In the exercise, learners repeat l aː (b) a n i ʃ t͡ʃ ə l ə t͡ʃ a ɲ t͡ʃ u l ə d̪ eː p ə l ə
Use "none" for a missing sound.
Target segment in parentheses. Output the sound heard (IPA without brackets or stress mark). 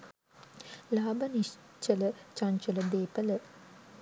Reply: b